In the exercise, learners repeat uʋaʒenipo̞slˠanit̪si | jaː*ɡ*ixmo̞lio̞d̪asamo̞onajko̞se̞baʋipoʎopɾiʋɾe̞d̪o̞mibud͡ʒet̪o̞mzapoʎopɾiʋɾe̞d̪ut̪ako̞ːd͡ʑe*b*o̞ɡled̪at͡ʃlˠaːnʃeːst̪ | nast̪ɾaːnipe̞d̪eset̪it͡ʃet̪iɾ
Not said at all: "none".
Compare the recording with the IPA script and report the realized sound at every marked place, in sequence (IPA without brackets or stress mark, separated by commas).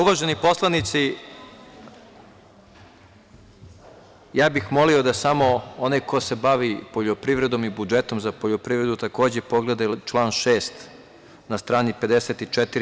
b, p